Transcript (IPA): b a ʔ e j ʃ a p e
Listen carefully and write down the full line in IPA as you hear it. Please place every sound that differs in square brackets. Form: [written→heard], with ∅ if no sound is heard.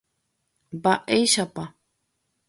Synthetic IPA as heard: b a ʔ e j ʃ a p [e→a]